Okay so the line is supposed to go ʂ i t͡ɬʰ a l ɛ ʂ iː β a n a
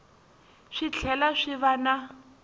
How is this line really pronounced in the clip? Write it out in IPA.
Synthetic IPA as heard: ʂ i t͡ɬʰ ɛ l a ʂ i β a n a